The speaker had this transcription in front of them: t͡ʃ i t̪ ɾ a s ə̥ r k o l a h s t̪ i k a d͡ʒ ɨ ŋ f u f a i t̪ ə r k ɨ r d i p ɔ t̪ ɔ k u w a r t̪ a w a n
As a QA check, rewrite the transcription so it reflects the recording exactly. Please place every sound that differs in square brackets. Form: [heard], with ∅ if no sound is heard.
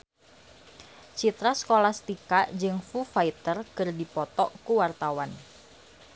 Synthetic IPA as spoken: t͡ʃ i t̪ ɾ a s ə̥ [∅] k o l a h s t̪ i k a d͡ʒ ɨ ŋ f u f a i t̪ ə r k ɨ r d i p ɔ t̪ ɔ k u w a r t̪ a w a n